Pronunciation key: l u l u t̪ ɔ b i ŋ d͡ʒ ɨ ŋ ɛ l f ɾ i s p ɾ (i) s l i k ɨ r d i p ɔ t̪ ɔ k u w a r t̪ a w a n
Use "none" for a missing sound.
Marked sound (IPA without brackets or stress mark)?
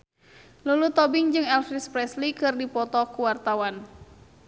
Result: ɛ